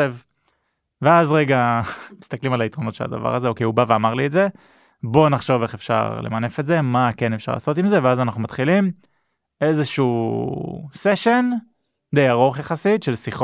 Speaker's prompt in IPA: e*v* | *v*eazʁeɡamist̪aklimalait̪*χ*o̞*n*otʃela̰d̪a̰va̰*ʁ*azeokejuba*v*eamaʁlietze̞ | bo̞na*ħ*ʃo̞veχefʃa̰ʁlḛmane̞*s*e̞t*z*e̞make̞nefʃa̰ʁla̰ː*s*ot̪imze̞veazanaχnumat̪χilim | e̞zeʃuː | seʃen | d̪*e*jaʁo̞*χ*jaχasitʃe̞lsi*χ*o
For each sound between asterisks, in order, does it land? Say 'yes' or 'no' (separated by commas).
yes, yes, no, yes, yes, yes, no, no, yes, yes, yes, yes, yes